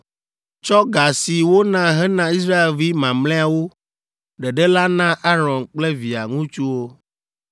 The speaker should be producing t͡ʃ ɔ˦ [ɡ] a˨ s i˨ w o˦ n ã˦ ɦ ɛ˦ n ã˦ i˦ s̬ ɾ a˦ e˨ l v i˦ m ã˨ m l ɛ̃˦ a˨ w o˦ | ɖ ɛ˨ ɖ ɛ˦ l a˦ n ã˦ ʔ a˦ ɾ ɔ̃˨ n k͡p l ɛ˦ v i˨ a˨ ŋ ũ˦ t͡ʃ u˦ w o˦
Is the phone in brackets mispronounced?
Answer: no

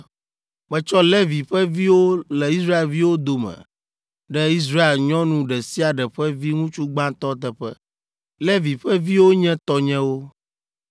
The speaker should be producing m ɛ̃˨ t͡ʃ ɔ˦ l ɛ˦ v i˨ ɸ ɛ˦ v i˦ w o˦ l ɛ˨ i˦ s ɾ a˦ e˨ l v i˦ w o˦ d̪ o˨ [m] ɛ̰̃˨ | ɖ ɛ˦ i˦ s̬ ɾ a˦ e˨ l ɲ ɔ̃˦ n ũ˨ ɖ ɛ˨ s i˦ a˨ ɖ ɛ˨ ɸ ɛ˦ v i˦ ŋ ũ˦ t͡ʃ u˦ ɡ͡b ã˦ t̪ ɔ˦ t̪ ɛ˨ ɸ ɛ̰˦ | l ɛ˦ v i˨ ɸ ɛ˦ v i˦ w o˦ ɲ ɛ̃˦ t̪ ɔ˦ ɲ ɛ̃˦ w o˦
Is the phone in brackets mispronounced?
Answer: no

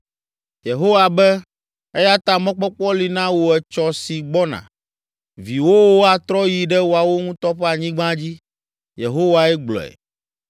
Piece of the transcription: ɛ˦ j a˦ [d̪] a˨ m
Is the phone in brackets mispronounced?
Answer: yes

